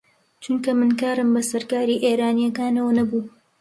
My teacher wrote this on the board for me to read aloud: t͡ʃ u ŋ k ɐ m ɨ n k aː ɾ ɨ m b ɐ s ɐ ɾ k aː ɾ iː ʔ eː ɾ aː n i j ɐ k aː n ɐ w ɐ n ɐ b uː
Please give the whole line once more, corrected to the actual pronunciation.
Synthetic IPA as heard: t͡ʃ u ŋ k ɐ m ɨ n k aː ɾ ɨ m b ɐ s ɐ ɾ k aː ɾ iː ʔ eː ɾ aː n i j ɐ k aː n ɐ w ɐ n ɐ b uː